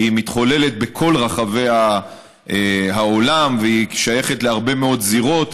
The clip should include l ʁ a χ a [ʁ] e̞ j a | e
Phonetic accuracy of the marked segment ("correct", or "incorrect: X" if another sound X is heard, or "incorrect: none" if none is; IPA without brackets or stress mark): incorrect: v